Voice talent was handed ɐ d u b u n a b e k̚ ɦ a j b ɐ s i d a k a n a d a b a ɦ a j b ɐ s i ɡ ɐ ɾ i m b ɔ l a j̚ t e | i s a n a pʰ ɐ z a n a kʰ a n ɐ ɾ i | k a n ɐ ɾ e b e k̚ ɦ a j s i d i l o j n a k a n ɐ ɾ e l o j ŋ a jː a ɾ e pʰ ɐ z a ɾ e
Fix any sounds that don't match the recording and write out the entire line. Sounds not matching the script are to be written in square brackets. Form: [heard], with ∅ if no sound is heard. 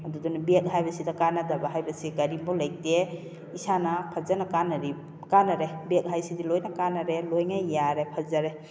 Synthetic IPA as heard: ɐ d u [d] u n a b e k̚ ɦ a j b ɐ s i d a k a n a d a b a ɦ a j b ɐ s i ɡ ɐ ɾ i m b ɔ l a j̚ t e | i s a n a pʰ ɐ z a n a [k] a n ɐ ɾ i | k a n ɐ ɾ e b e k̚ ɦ a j s i d i l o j n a k a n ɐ ɾ e l o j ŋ a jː a ɾ e pʰ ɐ z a ɾ e

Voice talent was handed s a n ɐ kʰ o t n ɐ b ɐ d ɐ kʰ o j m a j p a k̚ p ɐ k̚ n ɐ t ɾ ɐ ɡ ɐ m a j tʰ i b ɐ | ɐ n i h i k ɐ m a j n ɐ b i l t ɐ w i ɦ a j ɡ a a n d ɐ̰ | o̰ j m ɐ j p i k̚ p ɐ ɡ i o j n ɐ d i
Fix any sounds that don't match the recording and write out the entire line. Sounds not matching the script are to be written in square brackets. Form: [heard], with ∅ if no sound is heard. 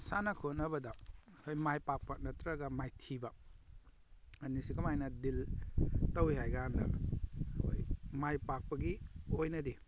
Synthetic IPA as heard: s a n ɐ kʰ o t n ɐ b ɐ d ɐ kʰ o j m a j p a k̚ p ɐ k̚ n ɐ t ɾ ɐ ɡ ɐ m a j tʰ i b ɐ | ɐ n i [s] i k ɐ m a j n ɐ [d] i l t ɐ w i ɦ a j ɡ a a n d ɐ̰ | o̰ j m [a] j p [a] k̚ p ɐ ɡ i o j n ɐ d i

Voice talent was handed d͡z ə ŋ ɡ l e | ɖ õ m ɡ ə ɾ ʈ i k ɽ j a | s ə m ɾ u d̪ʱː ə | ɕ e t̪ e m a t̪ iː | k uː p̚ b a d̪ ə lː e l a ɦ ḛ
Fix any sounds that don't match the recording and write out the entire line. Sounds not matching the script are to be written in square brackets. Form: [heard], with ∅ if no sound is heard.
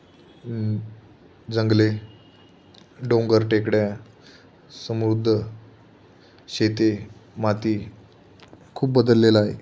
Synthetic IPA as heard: d͡z ə ŋ ɡ l e | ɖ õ [ŋ] ɡ ə ɾ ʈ [e] k ɽ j a | s ə m ɾ u d̪ʱː ə | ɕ e t̪ e m a t̪ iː | [kʰ] uː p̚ b [ə] d̪ ə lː e l a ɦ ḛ

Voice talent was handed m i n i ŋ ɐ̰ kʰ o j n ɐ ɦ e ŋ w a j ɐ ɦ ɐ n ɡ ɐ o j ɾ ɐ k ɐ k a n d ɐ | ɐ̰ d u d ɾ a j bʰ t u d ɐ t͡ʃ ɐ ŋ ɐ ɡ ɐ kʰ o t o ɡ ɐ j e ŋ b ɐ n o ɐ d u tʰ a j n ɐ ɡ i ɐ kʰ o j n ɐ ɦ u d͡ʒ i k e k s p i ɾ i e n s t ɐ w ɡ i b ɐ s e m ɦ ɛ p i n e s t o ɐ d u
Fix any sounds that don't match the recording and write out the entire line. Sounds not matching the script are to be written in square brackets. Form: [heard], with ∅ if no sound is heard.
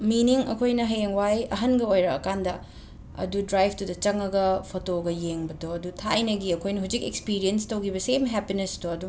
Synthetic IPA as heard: m i n i ŋ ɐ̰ kʰ o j n ɐ ɦ e ŋ w a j ɐ ɦ ɐ n ɡ ɐ o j ɾ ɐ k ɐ k a n d ɐ | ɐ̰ d u d ɾ a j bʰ t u d ɐ t͡ʃ ɐ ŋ ɐ ɡ ɐ [pʰ] o t o ɡ ɐ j e ŋ b ɐ [d] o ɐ d u tʰ a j n ɐ ɡ i ɐ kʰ o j n ɐ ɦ u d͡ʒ i k e k s p i ɾ i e n s t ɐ w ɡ i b ɐ s e m ɦ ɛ p i n e s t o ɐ d u

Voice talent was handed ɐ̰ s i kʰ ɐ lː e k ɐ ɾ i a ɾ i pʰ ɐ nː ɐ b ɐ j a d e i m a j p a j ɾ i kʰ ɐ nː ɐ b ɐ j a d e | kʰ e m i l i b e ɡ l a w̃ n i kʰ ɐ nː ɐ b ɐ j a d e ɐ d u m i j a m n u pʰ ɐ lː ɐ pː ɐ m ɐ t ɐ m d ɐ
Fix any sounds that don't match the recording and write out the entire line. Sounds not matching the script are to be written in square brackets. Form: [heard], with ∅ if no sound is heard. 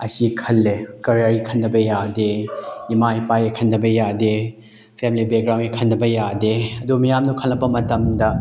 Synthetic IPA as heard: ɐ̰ s i kʰ ɐ lː e k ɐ ɾ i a ɾ i [kʰ] ɐ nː ɐ b ɐ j a d e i m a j p a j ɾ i kʰ ɐ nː ɐ b ɐ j a d e | [pʰ] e m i l i b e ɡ [ɾ] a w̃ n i kʰ ɐ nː ɐ b ɐ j a d e ɐ d u m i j a m n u [kʰ] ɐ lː ɐ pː ɐ m ɐ t ɐ m d ɐ

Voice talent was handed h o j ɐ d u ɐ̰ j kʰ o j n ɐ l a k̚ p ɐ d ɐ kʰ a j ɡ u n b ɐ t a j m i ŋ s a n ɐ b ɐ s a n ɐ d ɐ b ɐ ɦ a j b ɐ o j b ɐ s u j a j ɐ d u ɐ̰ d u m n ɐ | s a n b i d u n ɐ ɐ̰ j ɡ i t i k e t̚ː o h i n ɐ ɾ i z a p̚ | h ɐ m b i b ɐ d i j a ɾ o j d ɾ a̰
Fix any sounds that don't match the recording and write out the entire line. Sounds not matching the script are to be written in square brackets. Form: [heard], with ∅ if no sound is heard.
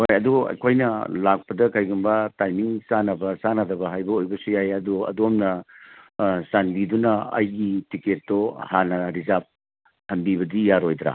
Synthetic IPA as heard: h o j ɐ d u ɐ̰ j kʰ o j n ɐ l a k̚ p ɐ d ɐ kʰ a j ɡ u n b ɐ t a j m i ŋ s a n ɐ b ɐ s a n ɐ d ɐ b ɐ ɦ a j b ɐ o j b ɐ s u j a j ɐ d u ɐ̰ d [o] m n ɐ | s a n b i d u n ɐ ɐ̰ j ɡ i t i k e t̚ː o h [a] n ɐ ɾ i z a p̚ | h ɐ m b i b ɐ d i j a ɾ o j d ɾ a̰

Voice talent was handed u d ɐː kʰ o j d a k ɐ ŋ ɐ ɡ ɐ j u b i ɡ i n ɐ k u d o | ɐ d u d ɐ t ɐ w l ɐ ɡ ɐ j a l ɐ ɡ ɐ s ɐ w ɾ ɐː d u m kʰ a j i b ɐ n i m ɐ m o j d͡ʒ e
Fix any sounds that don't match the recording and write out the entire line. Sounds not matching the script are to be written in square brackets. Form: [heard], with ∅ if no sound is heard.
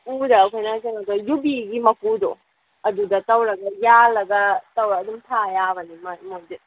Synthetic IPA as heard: u d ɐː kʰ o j [n] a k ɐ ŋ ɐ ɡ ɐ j u b i ɡ i [m] ɐ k u d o | ɐ d u d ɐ t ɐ w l ɐ ɡ ɐ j a l ɐ ɡ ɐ [t] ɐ w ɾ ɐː d u m [tʰ] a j [a] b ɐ n i m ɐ m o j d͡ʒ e

